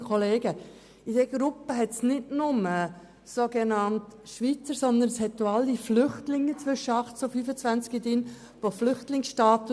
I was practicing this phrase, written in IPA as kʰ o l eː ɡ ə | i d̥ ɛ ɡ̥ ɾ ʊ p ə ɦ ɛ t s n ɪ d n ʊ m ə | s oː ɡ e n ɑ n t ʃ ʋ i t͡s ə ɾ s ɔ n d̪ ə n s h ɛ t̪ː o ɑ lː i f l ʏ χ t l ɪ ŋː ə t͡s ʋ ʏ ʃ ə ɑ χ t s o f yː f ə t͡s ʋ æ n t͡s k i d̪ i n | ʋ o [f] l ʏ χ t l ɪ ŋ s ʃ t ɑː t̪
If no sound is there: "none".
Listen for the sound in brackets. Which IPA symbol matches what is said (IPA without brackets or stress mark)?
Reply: f